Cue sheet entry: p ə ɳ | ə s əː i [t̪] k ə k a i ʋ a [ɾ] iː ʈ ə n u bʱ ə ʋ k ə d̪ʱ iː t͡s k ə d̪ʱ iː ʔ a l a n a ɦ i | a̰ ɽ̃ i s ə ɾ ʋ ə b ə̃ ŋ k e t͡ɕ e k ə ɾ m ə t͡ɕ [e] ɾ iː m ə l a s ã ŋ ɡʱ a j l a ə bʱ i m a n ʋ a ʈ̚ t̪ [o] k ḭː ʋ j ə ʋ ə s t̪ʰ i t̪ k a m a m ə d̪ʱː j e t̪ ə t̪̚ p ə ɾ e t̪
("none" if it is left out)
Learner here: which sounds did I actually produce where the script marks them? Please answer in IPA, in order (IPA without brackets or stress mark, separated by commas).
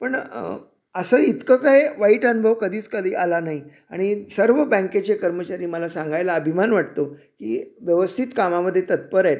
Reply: t̪, none, a, o